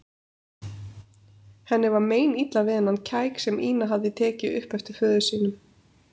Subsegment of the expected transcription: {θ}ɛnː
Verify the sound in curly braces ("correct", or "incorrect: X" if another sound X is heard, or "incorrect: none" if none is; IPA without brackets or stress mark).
incorrect: h